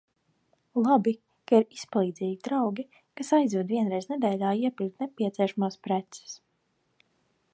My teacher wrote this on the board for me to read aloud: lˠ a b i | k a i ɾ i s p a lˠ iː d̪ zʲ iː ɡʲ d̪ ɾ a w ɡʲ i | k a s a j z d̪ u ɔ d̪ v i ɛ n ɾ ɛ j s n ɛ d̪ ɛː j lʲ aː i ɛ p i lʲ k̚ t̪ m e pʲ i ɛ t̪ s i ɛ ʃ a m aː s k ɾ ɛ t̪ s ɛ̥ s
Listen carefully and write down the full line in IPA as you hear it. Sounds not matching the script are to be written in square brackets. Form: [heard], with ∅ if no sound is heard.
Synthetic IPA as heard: lˠ a b i | k a i ɾ i s p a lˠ iː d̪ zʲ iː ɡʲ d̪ ɾ a w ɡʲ i | k a s a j z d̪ u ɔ d̪ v i ɛ n ɾ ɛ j [z] n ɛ d̪ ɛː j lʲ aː i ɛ p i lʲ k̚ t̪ [n] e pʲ i ɛ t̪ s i ɛ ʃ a m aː s [p] ɾ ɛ t̪ s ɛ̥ s